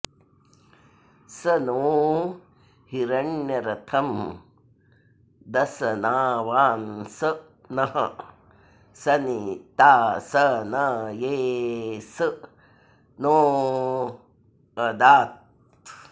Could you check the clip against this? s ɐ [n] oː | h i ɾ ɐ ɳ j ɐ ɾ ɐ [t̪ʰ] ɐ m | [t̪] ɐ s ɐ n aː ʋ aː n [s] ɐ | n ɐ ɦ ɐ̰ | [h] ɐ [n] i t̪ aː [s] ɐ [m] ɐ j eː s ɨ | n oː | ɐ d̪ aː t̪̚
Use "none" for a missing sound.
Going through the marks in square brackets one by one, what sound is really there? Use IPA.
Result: n, t̪ʰ, d̪, s, s, n, s, n

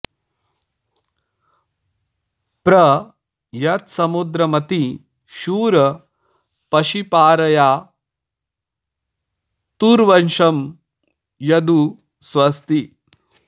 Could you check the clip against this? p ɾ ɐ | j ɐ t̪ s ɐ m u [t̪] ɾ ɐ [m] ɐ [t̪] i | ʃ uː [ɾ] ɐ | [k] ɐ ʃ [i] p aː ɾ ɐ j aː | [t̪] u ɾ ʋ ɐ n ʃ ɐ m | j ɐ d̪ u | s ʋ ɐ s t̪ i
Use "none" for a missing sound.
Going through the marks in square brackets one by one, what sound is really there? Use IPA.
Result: d̪, m, t̪, ɾ, p, i, t̪

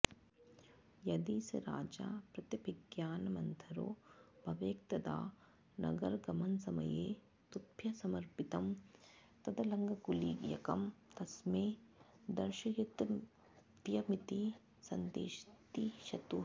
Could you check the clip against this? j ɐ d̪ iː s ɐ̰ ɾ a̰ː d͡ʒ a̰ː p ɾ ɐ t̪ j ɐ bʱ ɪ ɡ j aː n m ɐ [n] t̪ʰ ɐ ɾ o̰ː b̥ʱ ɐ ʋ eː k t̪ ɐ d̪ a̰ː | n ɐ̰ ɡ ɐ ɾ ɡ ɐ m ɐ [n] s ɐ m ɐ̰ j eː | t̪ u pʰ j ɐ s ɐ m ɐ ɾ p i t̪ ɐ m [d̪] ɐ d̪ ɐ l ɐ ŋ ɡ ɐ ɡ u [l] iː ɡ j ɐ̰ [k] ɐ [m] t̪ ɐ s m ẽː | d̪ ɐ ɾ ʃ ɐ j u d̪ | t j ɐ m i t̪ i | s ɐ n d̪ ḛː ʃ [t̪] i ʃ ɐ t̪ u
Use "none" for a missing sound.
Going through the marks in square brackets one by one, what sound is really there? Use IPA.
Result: n, n, t̪, l, k, m, t̪

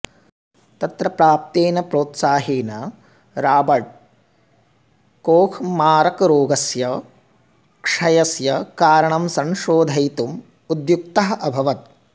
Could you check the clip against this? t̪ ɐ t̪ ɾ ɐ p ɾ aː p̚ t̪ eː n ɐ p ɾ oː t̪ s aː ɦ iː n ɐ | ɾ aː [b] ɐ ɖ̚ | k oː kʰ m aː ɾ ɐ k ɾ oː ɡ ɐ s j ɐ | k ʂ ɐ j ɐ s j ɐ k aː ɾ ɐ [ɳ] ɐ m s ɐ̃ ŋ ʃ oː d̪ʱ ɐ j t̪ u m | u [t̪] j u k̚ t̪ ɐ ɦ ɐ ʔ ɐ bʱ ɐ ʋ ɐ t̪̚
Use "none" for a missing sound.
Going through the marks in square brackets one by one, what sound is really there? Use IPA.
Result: b, ɳ, d̪

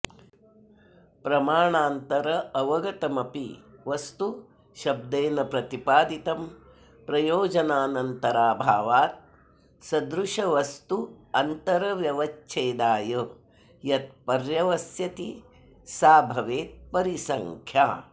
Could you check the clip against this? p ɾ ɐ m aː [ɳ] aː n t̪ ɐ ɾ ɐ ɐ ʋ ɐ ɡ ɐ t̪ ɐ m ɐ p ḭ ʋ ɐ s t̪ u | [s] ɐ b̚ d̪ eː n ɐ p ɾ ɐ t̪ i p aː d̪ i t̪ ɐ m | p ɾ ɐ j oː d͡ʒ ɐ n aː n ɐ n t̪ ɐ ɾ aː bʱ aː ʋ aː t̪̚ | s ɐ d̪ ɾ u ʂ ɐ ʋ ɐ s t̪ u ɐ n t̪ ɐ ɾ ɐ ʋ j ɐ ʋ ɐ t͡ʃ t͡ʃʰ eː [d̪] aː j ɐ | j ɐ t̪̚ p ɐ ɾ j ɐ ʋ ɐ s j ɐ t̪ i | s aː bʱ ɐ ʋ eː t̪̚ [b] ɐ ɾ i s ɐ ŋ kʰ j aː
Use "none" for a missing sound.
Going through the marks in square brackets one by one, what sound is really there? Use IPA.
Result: ɳ, ʃ, d̪, p

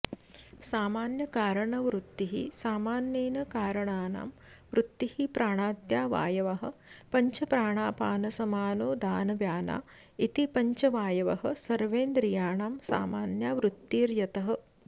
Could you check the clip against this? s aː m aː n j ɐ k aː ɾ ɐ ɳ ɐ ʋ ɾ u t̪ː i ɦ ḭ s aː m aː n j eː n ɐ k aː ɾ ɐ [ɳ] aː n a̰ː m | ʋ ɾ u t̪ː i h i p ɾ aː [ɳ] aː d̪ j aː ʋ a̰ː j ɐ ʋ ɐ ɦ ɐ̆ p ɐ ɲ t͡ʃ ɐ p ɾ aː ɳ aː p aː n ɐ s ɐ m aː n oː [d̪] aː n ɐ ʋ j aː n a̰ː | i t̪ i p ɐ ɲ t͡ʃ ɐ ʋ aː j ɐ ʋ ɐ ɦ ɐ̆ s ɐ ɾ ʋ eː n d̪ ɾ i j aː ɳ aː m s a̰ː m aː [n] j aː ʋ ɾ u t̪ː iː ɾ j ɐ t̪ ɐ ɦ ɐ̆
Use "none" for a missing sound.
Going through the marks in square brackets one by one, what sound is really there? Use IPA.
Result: ɳ, ɳ, d̪, n

